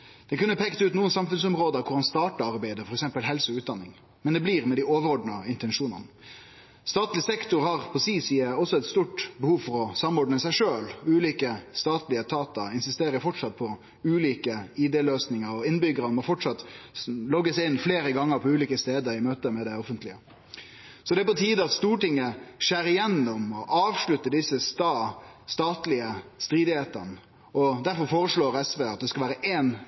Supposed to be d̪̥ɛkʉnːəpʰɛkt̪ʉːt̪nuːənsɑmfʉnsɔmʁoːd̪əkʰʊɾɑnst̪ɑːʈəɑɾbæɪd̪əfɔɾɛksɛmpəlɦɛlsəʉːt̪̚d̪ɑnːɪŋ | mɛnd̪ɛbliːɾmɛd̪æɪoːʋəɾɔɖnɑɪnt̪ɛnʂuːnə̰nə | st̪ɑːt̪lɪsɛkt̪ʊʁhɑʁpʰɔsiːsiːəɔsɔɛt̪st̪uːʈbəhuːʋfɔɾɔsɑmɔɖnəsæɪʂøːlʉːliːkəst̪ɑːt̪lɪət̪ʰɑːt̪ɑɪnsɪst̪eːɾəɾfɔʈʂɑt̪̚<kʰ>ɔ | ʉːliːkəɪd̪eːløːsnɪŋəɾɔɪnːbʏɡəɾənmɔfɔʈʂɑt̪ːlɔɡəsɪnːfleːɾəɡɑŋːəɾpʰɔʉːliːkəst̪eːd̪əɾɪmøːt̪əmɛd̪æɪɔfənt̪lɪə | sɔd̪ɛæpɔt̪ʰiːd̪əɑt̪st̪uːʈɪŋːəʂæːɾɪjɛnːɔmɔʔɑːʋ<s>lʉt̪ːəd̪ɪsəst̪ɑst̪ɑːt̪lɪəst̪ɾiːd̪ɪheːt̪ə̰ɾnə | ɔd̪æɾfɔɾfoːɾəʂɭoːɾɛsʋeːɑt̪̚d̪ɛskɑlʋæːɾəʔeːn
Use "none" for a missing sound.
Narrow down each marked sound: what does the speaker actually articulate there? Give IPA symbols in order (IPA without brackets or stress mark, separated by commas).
pʰ, ʂ